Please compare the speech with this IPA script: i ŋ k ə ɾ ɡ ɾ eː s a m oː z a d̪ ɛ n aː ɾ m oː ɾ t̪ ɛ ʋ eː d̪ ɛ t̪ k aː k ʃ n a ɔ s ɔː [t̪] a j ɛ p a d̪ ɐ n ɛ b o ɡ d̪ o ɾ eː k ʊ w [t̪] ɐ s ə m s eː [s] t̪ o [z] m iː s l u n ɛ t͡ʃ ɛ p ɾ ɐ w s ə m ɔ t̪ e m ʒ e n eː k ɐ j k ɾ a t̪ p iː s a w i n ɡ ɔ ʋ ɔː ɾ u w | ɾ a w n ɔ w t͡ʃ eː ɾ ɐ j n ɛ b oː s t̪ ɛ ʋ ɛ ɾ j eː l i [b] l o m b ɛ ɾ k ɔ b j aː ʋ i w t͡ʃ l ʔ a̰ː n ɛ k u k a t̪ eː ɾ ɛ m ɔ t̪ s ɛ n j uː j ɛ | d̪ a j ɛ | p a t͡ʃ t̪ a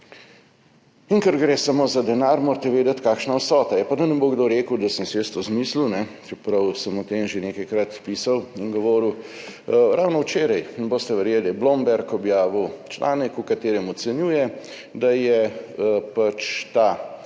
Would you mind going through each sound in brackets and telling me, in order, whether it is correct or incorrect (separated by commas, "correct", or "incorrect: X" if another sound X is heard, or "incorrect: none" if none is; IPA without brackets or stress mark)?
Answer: correct, incorrect: d̪, correct, correct, correct